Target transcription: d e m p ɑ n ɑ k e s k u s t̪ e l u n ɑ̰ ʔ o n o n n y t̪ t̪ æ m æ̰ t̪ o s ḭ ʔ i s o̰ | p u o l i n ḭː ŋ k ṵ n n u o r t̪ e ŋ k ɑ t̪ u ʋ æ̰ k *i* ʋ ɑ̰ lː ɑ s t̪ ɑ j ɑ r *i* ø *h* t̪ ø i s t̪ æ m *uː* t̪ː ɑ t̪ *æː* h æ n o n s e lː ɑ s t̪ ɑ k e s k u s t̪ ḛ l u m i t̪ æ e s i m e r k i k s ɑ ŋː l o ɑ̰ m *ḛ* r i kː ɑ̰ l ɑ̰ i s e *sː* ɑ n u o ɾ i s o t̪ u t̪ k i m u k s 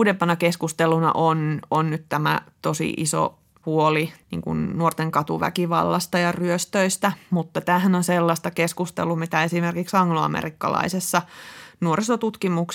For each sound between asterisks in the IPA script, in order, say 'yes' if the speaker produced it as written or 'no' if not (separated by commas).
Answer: yes, no, no, no, yes, yes, yes